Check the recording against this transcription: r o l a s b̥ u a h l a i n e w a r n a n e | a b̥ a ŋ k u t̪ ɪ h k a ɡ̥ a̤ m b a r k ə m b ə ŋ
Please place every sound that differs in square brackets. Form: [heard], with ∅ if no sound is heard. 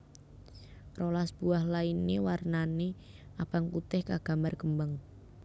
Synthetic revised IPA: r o l a s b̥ u a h l a i n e w a r n a n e | a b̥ a ŋ k u t̪ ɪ h k a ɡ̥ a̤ m b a r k ə m b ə ŋ